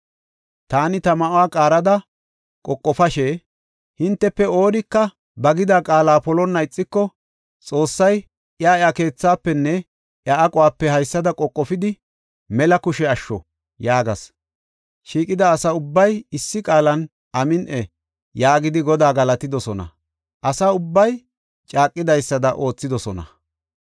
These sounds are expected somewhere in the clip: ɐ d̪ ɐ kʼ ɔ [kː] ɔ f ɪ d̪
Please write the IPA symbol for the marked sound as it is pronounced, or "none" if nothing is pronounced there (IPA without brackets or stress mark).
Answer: kʼː